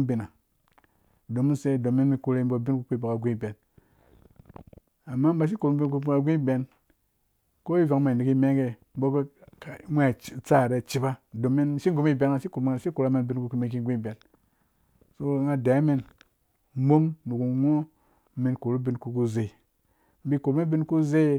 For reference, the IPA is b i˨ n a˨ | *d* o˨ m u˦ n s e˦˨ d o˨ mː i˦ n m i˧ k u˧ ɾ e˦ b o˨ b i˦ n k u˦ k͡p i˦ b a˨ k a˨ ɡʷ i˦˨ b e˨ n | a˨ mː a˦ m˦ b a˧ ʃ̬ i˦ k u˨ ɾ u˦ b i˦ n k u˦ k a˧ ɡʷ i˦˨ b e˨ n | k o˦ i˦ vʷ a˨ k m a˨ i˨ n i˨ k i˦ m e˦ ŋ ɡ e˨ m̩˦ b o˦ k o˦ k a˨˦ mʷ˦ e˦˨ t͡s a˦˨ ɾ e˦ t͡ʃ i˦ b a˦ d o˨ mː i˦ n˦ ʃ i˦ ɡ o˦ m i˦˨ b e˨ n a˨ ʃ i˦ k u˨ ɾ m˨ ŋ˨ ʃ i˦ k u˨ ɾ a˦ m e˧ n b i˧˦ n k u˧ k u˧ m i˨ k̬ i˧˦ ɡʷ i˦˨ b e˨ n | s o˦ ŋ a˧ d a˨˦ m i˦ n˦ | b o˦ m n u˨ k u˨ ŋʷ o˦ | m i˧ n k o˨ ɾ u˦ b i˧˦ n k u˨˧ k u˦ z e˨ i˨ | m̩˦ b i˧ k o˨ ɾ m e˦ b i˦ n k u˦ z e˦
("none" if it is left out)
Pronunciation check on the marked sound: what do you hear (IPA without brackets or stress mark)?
d